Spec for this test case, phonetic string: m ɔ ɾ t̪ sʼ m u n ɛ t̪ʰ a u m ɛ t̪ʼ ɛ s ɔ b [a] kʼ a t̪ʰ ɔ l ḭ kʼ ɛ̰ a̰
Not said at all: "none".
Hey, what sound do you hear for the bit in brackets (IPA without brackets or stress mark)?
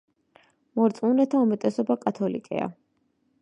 a